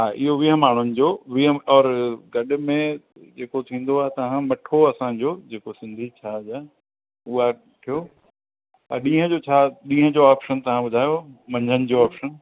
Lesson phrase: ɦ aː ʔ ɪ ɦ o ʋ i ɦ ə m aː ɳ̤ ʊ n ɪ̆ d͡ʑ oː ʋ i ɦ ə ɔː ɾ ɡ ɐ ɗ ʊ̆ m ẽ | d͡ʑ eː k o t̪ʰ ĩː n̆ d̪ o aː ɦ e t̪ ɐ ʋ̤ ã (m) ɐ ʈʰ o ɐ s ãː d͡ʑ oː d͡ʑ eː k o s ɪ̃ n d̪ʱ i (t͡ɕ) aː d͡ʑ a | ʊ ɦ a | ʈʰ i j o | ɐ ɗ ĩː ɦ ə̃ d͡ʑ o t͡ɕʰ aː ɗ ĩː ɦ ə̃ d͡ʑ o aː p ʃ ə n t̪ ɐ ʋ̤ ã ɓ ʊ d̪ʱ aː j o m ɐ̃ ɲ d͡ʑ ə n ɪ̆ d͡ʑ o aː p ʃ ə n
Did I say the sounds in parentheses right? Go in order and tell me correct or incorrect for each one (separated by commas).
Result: correct, incorrect